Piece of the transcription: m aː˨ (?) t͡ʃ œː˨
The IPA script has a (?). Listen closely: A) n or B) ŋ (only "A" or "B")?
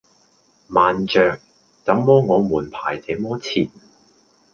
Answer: A